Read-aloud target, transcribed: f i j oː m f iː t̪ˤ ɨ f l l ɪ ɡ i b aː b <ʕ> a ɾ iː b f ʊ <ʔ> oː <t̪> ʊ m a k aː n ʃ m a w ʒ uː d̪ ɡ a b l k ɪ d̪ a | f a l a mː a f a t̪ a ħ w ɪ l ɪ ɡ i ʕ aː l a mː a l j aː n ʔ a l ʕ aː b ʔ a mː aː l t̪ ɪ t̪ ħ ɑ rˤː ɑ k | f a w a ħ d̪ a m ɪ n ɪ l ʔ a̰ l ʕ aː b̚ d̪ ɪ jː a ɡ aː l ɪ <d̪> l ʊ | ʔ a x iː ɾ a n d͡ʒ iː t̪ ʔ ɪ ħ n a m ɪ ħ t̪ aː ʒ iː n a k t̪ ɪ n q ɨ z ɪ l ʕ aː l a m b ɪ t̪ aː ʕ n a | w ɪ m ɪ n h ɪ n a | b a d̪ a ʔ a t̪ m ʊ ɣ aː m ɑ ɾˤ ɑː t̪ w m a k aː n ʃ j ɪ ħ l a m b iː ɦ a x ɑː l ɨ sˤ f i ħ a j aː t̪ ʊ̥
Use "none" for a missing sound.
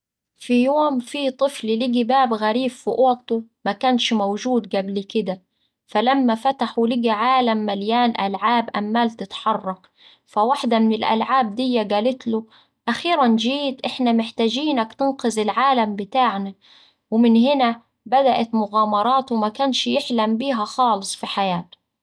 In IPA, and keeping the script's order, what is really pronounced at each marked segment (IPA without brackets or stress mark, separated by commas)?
ɣ, ʔ, t̪, t̪